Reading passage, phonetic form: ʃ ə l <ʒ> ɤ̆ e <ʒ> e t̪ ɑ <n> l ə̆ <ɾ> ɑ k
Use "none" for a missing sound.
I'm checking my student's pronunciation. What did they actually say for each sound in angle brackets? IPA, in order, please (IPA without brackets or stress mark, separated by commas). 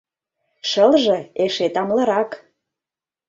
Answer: ʒ, ʃ, m, ɾ